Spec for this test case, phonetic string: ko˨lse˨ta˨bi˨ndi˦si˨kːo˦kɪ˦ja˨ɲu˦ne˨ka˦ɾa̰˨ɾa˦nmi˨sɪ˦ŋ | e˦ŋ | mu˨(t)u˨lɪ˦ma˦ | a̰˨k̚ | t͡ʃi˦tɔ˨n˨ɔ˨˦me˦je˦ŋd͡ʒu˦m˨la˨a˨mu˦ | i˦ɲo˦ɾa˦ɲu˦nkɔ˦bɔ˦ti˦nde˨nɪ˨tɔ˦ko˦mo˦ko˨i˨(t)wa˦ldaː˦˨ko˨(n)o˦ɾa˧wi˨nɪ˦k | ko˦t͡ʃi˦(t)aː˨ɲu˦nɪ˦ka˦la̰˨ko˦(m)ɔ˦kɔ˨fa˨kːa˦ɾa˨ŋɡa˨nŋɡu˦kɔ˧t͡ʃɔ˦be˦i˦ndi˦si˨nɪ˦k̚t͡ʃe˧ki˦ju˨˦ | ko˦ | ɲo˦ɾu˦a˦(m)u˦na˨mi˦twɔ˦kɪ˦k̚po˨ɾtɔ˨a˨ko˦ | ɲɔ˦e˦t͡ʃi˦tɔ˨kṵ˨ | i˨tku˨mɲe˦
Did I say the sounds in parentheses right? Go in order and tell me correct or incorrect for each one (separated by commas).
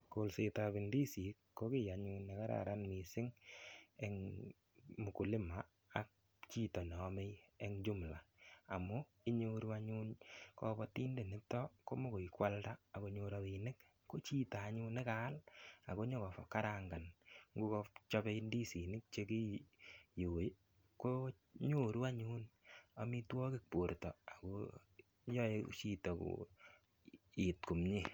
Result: incorrect, incorrect, incorrect, correct, incorrect, incorrect